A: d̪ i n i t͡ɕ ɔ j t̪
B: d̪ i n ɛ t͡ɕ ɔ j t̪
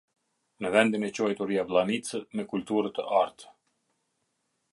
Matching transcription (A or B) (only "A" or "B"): B